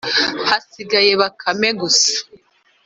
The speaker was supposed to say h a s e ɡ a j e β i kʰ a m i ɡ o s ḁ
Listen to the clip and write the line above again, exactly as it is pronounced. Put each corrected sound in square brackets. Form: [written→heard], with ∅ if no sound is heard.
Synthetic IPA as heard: h a s [e→i] ɡ a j e β [i→a] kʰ a m [i→e] ɡ [o→u] s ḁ